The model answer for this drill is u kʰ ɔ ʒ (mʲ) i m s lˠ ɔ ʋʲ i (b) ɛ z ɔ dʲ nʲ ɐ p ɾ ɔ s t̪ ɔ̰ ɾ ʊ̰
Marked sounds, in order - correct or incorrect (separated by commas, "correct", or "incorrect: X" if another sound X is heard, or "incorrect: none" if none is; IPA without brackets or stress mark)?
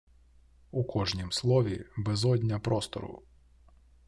incorrect: nʲ, correct